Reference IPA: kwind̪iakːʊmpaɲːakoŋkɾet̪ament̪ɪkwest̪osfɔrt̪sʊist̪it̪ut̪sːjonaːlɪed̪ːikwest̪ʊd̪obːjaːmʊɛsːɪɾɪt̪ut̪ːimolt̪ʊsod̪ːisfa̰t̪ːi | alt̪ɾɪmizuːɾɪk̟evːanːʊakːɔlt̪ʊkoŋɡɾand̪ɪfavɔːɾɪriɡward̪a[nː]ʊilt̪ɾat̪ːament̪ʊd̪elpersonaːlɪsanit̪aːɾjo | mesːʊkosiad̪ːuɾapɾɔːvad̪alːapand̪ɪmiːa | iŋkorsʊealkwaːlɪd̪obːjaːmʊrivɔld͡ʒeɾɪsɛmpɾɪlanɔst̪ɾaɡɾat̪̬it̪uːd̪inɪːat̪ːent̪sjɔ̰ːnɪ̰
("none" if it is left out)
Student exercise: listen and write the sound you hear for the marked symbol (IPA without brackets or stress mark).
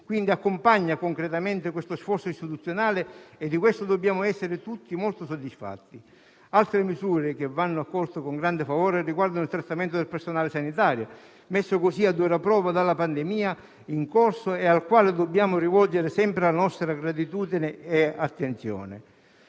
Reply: n